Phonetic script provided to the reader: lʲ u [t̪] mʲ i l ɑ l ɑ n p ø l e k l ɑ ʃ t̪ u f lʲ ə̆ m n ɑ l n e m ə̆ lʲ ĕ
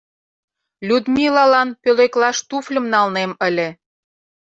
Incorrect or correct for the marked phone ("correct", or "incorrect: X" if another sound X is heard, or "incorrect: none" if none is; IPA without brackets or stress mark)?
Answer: incorrect: d̪